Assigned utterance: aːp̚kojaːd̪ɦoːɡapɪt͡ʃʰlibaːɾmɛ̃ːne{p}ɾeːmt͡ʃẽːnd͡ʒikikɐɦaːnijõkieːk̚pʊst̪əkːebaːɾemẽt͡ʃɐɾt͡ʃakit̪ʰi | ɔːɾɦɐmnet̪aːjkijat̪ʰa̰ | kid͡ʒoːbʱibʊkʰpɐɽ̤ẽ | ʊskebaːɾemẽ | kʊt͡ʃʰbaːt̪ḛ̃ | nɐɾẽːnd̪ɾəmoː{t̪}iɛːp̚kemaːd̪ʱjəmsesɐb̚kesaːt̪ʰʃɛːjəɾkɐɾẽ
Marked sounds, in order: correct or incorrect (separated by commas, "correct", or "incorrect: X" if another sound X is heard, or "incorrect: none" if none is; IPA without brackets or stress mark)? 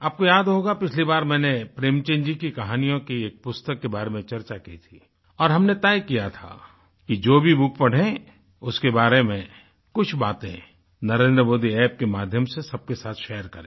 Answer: correct, incorrect: d̪